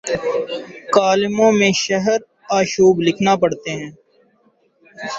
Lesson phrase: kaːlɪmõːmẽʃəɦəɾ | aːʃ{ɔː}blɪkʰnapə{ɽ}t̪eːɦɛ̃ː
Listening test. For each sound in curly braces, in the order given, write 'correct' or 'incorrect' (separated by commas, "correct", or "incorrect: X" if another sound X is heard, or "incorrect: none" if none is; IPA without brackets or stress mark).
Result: incorrect: uː, correct